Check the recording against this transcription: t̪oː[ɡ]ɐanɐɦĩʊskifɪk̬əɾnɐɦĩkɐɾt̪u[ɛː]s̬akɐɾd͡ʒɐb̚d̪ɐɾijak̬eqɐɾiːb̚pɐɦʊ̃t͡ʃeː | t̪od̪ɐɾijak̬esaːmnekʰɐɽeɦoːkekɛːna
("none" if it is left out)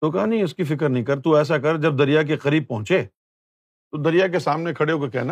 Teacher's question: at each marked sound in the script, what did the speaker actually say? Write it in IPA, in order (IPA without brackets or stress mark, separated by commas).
k, ɛː